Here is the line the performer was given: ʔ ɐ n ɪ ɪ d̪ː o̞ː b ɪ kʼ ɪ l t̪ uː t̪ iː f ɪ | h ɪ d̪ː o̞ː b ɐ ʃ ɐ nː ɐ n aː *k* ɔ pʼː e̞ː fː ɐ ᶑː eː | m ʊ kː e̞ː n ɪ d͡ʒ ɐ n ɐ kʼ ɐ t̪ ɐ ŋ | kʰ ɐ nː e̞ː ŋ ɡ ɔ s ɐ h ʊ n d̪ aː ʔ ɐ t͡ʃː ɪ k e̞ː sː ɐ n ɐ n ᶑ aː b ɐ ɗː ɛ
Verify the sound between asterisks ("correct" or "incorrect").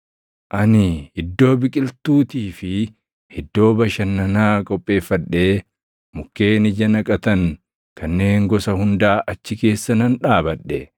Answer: incorrect